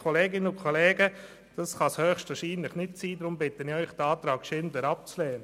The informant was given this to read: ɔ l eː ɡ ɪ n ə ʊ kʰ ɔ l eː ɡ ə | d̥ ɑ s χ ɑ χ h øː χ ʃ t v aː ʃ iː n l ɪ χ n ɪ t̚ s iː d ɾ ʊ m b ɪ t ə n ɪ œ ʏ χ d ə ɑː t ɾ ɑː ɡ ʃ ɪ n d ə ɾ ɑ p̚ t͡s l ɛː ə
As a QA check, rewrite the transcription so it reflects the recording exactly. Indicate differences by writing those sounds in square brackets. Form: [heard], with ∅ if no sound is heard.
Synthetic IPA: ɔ l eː ɡ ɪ n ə ʊ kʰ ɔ l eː ɡ ə | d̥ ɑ s χ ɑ [s] h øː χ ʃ t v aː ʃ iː n l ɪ χ n ɪ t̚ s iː d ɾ ʊ m b ɪ t ə n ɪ œ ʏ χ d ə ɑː t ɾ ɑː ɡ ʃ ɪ n d ə ɾ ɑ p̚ t͡s l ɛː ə